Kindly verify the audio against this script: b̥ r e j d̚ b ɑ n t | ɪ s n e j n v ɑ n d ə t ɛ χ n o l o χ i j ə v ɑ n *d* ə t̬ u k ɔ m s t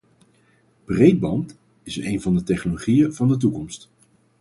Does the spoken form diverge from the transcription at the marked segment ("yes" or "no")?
no